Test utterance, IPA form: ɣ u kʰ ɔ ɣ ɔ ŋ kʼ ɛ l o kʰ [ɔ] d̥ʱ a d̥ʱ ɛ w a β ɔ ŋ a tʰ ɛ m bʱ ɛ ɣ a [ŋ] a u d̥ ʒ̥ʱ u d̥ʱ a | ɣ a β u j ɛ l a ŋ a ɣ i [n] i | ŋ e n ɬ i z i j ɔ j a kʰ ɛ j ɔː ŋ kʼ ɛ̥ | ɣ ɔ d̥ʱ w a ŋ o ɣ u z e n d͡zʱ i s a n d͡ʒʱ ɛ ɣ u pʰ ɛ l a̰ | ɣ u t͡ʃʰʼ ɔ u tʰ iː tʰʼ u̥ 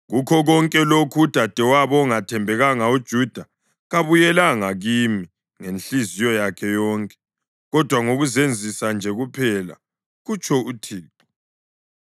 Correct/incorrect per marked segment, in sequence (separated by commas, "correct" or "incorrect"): incorrect, correct, incorrect